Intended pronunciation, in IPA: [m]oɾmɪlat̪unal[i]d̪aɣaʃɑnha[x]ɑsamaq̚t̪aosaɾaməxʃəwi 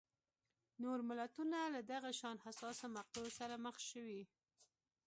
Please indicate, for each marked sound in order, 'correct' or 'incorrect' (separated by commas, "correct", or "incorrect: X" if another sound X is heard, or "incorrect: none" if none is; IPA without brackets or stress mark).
incorrect: n, incorrect: a, incorrect: s